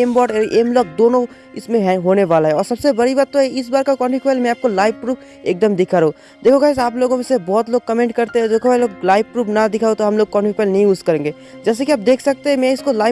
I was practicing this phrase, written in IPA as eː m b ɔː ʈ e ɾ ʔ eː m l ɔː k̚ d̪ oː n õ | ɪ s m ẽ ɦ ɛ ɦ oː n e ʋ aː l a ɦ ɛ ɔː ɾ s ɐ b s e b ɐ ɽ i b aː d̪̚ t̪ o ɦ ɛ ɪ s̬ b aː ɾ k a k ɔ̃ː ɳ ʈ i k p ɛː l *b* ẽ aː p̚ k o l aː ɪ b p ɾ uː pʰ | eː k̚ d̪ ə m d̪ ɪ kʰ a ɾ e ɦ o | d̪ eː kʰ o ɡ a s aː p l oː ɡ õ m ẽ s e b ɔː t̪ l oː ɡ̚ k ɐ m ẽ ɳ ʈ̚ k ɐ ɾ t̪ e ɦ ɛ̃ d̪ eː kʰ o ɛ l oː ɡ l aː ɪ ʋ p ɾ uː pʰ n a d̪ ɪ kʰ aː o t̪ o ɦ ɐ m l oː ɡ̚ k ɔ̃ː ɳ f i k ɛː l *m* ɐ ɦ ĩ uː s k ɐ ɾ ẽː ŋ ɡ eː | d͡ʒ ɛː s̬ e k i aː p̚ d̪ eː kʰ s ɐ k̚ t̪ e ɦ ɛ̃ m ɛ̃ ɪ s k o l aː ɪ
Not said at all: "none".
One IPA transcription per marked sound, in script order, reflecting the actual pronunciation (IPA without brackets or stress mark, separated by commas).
m, n